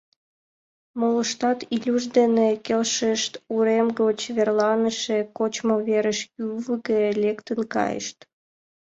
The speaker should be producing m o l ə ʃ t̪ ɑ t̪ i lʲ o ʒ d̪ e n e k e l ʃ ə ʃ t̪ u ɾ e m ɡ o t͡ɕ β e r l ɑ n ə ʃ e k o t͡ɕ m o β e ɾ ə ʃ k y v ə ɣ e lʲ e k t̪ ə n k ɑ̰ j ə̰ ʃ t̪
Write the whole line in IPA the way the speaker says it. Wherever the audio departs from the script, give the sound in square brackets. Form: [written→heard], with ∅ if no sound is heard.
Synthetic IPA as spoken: m o l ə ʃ t̪ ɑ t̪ i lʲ [o→u] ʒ d̪ e n e k e l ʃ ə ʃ t̪ u ɾ e m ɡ o t͡ɕ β e r l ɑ n ə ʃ e k o t͡ɕ m o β e ɾ ə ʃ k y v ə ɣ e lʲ e k t̪ ə n k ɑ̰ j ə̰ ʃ t̪